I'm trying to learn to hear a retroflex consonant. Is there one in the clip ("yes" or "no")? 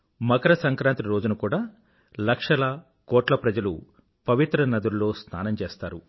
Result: yes